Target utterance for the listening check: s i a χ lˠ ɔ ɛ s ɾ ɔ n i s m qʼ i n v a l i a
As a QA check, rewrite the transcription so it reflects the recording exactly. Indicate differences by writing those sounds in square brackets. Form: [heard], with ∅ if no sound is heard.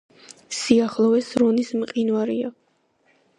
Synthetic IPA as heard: s i a χ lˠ ɔ ɛ s ɾ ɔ n i s m qʼ i n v a [ɾ] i a